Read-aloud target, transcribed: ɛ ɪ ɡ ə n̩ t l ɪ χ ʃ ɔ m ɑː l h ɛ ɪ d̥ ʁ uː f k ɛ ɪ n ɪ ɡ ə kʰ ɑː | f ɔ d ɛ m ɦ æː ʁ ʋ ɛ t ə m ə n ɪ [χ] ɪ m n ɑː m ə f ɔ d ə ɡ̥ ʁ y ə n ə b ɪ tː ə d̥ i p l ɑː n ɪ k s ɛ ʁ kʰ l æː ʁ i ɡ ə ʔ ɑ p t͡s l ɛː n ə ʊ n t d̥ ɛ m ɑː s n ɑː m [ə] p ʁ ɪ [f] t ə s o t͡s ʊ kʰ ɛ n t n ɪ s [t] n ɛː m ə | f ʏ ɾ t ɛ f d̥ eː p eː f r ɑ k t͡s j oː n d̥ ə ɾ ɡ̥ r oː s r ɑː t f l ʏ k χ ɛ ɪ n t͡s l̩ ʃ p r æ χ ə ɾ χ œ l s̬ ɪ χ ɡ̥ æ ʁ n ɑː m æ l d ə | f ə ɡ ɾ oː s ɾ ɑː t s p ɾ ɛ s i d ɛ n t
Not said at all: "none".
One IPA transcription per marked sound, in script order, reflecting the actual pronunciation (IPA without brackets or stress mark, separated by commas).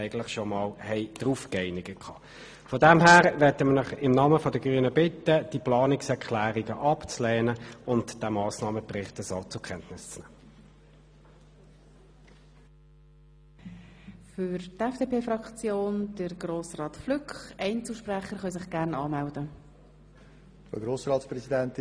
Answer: χ, ə, χ, t͡s